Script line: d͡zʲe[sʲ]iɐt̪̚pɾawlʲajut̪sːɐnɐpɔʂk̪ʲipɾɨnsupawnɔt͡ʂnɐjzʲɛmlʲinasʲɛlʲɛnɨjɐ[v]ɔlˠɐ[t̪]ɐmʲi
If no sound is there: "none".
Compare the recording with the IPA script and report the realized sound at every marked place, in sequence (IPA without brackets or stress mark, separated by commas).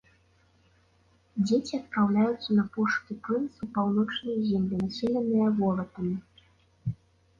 t͡sʲ, v, t̪